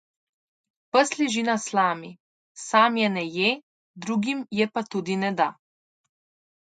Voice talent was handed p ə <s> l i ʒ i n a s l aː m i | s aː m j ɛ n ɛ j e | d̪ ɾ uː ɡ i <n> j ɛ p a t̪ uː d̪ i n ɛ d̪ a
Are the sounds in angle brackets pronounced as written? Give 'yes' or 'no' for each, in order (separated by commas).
yes, no